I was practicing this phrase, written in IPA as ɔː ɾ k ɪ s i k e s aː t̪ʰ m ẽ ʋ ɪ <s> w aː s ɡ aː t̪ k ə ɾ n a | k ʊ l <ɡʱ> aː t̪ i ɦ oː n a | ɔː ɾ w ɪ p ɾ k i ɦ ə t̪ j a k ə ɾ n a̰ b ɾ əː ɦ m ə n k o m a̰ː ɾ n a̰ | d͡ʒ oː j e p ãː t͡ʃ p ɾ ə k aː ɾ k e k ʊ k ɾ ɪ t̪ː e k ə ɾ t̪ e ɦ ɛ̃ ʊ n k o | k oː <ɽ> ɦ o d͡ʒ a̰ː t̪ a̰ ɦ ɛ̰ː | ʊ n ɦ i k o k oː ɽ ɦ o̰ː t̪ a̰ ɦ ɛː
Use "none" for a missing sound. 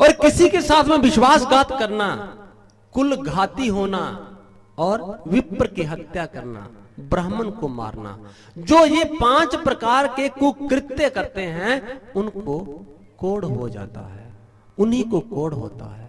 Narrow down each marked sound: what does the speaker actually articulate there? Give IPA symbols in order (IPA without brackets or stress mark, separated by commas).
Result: ʃ, ɡʱ, ɽ